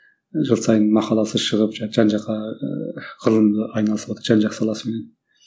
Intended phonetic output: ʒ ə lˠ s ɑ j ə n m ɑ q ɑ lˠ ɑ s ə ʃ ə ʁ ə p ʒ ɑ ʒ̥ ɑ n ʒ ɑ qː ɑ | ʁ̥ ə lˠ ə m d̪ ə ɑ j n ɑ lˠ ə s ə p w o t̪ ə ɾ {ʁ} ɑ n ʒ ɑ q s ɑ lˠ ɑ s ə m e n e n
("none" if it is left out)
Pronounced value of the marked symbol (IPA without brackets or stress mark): ʒ